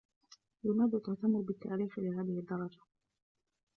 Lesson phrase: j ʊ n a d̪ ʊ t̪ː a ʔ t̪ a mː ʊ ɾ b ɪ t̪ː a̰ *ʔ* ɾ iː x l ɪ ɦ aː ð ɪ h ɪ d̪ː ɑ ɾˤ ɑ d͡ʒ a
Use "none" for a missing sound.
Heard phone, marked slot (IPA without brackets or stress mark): ʔ